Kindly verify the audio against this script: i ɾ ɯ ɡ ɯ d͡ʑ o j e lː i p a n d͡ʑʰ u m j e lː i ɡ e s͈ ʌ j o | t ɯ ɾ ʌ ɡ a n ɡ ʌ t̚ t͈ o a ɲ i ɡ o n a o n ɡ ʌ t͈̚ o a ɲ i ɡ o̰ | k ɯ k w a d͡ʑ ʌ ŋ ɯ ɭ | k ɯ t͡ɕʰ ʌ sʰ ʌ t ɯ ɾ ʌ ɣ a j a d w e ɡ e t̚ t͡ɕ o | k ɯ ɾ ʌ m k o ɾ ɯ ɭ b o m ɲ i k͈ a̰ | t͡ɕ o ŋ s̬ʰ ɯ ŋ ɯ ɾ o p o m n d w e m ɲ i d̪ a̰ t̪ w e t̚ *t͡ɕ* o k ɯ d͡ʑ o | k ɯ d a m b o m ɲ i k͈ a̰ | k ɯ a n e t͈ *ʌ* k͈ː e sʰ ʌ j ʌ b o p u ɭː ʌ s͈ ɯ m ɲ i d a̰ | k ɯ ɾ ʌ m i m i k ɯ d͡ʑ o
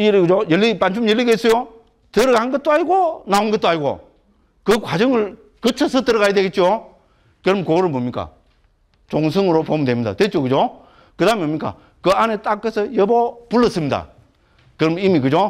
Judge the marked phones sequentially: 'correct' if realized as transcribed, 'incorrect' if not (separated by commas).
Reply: correct, incorrect